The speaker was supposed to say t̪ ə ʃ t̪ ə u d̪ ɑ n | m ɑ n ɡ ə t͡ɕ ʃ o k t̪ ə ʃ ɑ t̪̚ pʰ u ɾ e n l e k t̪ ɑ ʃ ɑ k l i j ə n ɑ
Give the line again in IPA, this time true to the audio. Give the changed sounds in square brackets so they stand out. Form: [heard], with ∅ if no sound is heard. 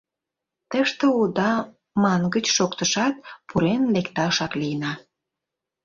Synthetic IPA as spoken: t̪ ə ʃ t̪ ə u d̪ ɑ [∅] | m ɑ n ɡ ə t͡ɕ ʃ o k t̪ ə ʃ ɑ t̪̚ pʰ u ɾ e n l e k t̪ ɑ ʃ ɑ k l i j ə n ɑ